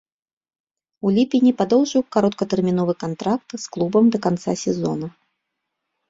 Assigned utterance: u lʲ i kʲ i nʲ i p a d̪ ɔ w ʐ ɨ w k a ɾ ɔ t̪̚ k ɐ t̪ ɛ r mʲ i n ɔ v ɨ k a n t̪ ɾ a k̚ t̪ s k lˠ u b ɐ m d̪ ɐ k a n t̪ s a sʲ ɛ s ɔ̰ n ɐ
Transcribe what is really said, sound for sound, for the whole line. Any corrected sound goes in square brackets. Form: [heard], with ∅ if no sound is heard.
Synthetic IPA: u lʲ i [pʲ] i nʲ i p a d̪ ɔ w ʐ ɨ w k a ɾ ɔ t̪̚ k ɐ t̪ ɛ r mʲ i n ɔ v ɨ k a n t̪ ɾ a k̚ t̪ s k lˠ u b ɐ m d̪ ɐ k a n t̪ s a sʲ ɛ [z] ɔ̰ n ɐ